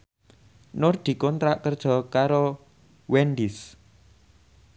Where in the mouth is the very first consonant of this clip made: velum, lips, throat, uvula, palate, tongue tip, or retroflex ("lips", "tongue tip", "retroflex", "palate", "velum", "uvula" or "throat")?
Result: tongue tip